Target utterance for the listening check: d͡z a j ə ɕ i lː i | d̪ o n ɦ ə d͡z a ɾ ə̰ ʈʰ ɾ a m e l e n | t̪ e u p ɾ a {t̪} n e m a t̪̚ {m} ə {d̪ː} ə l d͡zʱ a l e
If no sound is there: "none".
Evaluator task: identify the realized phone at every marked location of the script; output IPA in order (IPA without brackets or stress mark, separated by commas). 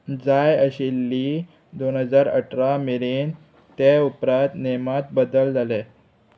t̪, b, d̪